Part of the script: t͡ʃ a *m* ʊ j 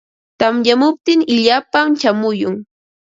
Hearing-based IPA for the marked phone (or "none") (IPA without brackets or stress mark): m